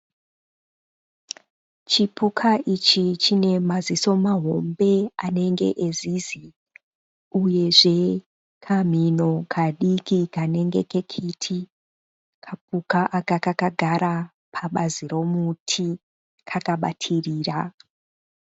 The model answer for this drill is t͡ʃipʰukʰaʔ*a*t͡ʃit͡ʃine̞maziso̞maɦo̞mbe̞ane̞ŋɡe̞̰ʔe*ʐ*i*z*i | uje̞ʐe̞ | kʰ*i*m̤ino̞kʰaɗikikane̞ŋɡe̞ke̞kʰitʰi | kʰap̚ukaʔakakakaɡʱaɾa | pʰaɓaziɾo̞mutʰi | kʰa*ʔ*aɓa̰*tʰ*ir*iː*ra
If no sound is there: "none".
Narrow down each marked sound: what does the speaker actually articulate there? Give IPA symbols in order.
i, z, z, a, k, tʰ, iː

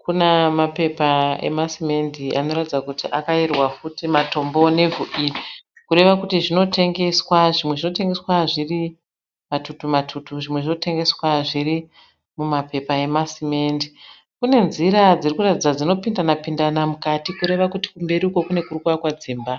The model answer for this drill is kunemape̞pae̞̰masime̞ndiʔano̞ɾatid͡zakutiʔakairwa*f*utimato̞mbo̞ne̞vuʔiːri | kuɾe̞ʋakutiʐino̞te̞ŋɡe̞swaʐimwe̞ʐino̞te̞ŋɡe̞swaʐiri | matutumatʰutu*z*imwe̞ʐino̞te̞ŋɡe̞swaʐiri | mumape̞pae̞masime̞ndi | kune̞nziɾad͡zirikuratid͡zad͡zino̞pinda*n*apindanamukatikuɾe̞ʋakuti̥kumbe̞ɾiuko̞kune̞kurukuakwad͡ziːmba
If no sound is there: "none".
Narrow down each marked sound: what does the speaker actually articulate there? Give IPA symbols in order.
f, ʐ, n

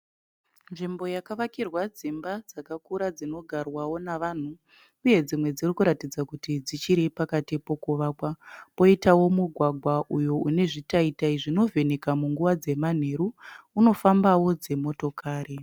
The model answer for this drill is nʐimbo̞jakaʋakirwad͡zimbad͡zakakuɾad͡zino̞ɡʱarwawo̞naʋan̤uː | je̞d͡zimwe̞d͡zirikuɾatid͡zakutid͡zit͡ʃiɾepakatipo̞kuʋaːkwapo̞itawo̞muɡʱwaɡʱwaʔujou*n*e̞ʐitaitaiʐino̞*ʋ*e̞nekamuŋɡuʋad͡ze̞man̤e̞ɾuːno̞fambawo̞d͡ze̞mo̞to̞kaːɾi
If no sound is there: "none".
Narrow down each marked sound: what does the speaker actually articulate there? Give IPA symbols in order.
n, v

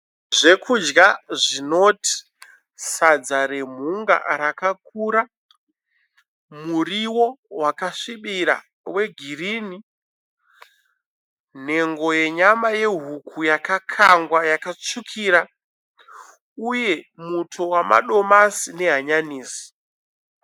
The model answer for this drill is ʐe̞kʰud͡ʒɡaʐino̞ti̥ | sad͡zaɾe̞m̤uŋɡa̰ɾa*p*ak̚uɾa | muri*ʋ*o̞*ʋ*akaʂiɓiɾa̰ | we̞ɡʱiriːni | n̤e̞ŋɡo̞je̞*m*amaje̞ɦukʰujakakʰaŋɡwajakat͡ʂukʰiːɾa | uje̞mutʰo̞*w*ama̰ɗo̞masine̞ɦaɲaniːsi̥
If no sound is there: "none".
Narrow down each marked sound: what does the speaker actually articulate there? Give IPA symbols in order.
k, w, w, ɲ, w

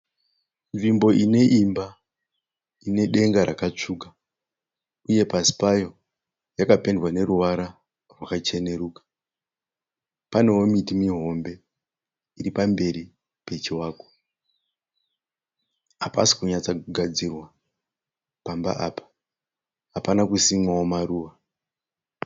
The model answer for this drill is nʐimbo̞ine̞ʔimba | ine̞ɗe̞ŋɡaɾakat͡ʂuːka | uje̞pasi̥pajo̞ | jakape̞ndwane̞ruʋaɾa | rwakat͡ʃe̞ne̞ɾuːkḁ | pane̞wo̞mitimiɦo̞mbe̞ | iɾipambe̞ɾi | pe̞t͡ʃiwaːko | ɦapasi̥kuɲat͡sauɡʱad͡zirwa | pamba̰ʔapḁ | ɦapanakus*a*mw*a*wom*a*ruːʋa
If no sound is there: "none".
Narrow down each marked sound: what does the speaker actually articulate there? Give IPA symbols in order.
i, a, a

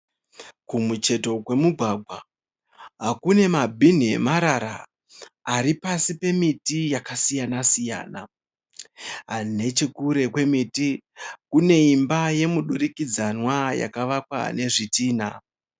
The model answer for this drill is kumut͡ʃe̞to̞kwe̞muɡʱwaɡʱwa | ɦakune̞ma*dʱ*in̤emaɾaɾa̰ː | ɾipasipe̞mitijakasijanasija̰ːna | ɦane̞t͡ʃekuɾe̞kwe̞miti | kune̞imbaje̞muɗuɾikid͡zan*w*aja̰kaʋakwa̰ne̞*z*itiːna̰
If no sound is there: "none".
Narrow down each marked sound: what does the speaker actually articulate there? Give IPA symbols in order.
bʱ, w, ʐ

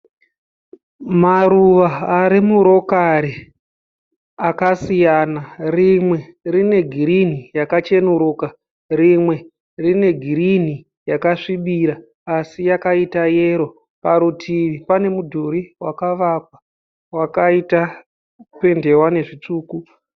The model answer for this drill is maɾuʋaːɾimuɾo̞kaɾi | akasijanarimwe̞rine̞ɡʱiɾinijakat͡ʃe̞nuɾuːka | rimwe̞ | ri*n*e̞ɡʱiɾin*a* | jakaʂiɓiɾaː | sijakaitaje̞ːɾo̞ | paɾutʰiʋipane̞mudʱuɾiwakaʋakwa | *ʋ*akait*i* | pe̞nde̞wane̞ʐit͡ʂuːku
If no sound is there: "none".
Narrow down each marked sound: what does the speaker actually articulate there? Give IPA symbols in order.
n, i, w, a

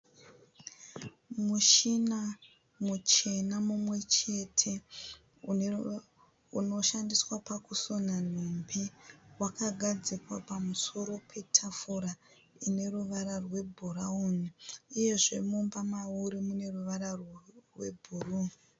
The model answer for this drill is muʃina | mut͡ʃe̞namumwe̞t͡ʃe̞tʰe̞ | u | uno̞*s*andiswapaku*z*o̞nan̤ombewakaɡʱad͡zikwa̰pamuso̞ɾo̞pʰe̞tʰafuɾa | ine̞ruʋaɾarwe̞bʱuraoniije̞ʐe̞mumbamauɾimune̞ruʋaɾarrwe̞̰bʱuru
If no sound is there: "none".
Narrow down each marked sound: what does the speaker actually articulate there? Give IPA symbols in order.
ʃ, s

